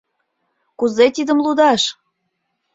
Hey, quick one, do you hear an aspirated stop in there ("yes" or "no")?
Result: no